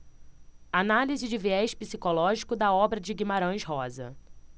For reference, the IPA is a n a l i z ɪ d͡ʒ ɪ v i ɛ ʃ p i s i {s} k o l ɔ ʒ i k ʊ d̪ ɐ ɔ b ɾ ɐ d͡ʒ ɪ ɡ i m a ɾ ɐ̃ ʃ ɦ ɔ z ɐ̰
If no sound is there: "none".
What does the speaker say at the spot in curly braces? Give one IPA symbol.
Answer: none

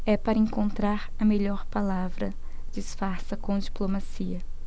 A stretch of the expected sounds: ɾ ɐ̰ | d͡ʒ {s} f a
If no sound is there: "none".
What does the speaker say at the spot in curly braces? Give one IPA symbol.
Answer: s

